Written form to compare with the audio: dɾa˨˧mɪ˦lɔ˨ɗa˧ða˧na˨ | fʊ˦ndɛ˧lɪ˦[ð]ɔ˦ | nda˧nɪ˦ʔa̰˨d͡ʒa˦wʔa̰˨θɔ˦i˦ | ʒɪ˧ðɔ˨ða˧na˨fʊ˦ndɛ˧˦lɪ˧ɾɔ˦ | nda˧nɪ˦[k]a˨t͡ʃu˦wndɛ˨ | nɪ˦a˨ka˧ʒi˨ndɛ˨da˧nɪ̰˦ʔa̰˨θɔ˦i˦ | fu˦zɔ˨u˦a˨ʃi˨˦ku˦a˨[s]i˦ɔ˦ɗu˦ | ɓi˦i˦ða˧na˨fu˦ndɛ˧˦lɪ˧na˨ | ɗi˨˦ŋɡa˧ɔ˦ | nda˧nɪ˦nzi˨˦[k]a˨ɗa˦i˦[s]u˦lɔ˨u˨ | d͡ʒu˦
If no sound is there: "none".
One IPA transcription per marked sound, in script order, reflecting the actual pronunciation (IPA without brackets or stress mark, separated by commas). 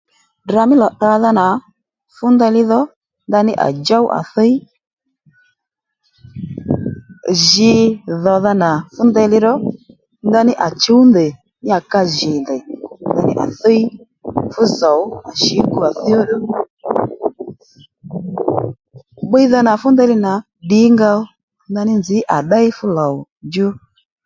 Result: ð, ʔ, θ, ʔ, f